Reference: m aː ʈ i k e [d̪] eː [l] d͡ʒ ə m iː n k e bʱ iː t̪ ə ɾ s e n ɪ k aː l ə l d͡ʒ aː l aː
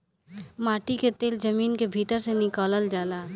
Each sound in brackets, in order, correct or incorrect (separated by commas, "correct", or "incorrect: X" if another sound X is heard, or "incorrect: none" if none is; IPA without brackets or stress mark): incorrect: t̪, correct